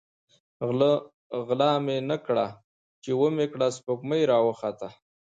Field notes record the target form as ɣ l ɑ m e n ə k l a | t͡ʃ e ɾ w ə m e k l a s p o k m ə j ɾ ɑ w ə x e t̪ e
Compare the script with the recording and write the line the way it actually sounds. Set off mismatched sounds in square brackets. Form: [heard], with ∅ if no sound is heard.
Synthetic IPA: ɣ l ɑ m e n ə k [ɽ] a | t͡ʃ e [∅] w ə m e k [ɽ] a s p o k m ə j ɾ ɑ w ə x [a] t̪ [a]